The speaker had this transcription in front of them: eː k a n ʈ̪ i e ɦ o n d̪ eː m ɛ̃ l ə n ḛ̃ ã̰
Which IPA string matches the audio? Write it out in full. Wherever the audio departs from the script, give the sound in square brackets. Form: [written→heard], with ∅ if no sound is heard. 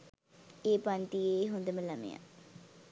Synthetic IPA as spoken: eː [k→p] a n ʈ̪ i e ɦ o n d̪ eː m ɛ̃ l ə [n→m] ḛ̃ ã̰